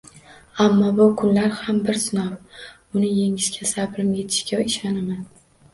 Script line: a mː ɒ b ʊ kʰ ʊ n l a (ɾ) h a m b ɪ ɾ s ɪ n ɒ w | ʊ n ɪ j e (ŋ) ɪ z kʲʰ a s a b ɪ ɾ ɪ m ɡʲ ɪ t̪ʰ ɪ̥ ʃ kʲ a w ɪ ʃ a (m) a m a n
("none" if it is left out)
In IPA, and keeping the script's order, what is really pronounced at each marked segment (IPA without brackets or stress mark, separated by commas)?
ɾ, ŋ, n